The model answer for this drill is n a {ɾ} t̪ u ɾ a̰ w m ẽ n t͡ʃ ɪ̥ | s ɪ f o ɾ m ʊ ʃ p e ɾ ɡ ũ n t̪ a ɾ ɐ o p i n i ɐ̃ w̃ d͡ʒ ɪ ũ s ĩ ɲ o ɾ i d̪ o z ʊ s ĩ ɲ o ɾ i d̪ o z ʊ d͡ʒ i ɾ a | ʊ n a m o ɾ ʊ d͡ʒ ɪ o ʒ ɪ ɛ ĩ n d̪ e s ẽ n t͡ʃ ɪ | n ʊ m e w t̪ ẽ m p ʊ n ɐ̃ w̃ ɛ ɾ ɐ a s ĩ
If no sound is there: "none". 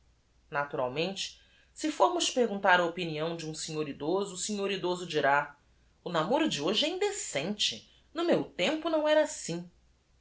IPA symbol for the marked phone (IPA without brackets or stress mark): none